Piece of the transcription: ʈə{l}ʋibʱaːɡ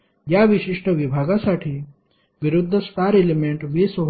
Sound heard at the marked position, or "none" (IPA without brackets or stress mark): none